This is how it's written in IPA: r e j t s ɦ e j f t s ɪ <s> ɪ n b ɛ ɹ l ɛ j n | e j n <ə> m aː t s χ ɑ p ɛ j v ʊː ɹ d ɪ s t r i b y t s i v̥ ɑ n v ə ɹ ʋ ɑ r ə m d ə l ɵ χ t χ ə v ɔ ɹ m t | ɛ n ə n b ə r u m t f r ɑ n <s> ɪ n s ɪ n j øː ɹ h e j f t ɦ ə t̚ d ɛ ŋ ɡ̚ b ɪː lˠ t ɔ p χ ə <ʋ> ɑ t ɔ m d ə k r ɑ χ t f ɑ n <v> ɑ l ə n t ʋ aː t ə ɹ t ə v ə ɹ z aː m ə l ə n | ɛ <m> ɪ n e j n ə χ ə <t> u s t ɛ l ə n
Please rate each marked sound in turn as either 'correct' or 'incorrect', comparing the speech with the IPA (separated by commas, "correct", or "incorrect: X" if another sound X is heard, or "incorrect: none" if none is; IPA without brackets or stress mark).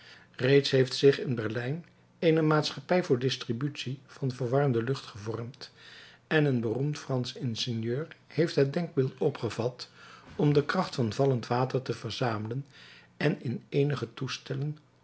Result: incorrect: χ, correct, correct, incorrect: v, correct, incorrect: n, correct